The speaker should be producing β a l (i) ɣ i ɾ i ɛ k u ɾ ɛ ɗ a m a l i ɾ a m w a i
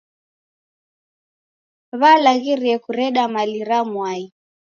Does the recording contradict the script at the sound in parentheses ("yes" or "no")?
yes